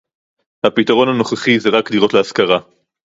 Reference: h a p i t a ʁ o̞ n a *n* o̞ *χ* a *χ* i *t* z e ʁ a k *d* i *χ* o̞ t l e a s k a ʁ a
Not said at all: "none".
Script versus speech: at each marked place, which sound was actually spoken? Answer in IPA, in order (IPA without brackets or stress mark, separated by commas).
n, χ, χ, none, d, ʁ